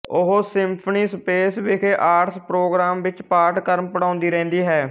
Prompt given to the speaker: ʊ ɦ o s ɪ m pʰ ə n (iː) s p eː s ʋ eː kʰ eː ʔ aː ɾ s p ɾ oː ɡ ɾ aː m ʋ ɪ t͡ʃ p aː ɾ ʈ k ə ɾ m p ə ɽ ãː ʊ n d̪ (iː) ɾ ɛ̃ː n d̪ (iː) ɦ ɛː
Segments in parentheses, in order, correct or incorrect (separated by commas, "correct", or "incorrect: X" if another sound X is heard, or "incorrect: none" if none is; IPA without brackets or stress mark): correct, correct, correct